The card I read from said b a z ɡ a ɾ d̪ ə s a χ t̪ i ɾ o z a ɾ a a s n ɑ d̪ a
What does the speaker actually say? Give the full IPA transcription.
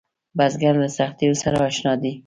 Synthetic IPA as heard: b a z ɡ a ɾ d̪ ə s a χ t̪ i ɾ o s a ɾ a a ʃ n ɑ d̪ i